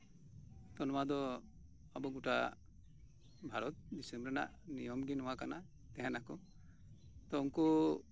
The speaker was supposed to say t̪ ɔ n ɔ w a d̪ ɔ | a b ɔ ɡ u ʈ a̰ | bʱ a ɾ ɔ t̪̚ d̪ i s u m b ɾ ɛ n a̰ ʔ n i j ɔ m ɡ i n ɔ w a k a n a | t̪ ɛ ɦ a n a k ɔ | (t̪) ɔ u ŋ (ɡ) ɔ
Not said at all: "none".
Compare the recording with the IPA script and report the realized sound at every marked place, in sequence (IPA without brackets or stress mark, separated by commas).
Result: t̪, k